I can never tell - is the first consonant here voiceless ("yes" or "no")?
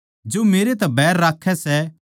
no